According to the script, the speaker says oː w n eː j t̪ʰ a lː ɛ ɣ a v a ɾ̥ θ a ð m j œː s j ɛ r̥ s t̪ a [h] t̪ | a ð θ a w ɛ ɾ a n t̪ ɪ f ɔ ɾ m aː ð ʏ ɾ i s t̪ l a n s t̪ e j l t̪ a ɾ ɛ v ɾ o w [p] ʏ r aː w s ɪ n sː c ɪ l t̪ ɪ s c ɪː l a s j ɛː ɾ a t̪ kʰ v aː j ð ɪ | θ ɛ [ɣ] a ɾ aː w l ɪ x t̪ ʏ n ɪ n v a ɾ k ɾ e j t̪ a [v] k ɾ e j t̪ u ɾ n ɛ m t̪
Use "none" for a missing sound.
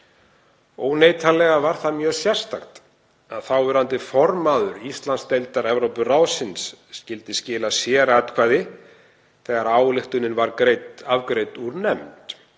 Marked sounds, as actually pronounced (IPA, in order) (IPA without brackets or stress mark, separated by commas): x, p, ɣ, v